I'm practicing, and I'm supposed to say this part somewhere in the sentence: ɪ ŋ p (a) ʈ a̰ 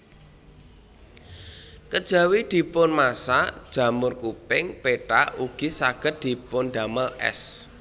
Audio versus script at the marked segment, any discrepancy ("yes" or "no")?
yes